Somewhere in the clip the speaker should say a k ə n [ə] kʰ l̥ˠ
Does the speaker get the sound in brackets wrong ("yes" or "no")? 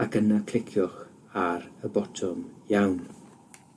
yes